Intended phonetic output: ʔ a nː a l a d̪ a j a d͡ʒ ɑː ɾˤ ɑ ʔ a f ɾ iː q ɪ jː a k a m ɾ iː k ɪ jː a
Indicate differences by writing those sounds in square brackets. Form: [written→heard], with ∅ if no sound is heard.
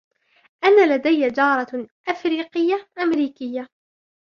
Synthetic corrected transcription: ʔ a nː a l a d̪ a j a d͡ʒ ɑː ɾˤ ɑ ʔ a f ɾ iː q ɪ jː a [k→ʔ] a m ɾ iː k ɪ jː a